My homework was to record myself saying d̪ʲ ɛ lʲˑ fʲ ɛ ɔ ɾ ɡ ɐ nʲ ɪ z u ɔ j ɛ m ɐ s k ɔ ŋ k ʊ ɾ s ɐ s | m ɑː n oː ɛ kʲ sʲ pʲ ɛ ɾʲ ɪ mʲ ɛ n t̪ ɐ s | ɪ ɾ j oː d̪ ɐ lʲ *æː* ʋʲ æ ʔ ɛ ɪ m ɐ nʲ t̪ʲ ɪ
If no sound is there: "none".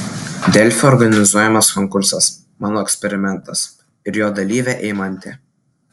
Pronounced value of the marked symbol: iː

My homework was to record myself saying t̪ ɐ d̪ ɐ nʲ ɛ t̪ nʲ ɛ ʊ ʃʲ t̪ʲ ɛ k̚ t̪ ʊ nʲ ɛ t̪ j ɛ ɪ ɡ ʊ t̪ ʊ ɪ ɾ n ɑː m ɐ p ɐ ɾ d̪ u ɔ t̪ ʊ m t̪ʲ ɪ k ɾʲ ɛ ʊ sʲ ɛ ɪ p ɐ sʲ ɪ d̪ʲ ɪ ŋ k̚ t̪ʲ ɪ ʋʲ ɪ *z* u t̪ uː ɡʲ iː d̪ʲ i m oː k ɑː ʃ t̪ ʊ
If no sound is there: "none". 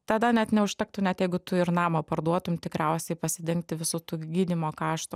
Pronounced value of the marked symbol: s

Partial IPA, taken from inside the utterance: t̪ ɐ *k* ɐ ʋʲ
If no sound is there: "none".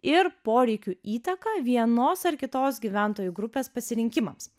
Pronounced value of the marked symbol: k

